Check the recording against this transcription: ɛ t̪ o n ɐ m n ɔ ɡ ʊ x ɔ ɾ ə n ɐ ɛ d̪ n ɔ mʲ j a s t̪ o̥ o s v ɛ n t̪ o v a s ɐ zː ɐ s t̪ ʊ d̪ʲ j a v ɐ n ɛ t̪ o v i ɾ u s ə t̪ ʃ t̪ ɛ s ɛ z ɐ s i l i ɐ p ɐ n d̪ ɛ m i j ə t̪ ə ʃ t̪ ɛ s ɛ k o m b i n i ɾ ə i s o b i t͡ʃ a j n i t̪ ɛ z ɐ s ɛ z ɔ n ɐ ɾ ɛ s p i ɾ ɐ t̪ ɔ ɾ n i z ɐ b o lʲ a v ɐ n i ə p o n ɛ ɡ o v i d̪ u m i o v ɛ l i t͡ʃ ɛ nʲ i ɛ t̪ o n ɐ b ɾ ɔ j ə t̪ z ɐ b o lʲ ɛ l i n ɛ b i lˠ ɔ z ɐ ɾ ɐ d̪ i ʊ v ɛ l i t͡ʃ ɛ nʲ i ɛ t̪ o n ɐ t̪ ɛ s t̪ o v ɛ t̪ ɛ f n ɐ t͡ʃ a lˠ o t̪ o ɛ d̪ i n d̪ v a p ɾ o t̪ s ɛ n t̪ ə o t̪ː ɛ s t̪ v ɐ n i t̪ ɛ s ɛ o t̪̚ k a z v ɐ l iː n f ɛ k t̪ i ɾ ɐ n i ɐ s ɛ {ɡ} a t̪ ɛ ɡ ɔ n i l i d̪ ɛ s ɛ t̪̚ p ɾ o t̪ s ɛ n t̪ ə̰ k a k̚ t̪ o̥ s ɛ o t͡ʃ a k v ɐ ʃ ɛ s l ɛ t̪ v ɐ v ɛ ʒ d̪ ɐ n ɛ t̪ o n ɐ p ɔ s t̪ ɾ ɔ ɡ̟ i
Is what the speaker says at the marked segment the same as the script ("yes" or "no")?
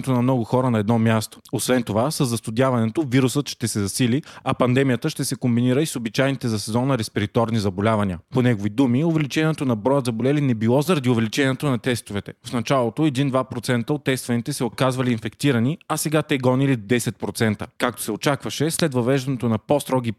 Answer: yes